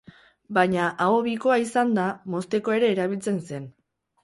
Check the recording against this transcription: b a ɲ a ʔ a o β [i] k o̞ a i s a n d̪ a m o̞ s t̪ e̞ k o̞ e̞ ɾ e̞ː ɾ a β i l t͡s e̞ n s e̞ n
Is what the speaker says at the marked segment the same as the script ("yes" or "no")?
yes